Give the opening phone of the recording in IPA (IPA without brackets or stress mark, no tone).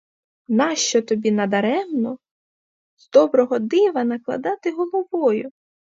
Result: n